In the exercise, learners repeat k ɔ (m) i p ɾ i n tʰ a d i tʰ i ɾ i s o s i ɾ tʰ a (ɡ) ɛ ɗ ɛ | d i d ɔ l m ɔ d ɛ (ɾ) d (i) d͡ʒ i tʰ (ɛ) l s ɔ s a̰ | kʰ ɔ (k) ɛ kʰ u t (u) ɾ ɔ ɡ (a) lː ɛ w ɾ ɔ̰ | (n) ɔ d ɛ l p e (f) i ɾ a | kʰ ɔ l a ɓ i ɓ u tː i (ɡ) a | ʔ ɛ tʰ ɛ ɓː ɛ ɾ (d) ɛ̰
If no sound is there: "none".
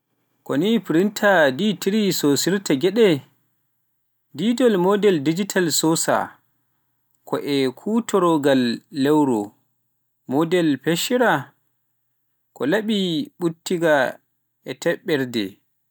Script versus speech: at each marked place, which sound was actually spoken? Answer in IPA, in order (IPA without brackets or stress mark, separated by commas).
n, ɡ, l, i, a, ʔ, ɔ, a, m, ʃ, ɡ, d